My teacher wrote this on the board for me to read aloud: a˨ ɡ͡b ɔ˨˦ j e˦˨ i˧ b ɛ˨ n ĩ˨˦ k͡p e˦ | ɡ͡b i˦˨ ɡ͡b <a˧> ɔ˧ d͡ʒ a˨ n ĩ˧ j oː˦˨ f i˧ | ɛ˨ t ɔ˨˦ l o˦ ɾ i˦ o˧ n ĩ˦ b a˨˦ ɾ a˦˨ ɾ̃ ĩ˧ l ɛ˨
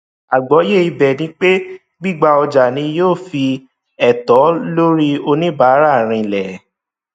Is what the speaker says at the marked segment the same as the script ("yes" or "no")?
yes